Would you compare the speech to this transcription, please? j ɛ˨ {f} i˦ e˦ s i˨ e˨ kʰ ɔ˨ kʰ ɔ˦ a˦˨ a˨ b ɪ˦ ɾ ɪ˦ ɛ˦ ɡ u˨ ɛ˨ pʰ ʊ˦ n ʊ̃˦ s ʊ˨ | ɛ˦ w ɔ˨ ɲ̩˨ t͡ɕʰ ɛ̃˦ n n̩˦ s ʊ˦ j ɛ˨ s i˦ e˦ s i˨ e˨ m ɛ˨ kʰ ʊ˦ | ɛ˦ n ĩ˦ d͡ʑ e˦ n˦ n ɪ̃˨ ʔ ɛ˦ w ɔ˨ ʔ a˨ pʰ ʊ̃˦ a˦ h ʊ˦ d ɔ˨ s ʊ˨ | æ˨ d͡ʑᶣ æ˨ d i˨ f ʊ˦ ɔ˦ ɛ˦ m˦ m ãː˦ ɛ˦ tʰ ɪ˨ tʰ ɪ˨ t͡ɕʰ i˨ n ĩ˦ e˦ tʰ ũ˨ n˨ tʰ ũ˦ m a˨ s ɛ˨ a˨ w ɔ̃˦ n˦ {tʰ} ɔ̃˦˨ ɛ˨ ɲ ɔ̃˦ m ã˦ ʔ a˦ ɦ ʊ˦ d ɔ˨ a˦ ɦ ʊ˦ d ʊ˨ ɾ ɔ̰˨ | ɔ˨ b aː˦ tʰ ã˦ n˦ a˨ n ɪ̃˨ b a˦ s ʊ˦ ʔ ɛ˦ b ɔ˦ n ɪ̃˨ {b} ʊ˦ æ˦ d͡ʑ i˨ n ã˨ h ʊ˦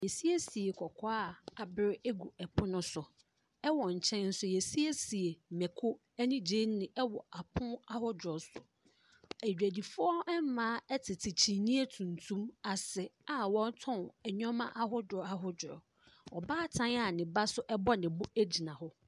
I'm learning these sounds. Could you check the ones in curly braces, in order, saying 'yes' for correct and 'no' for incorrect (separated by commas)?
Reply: no, yes, yes